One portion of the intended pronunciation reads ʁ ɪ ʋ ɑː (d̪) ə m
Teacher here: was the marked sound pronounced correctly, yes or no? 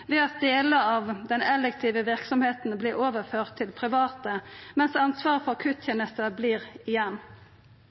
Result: no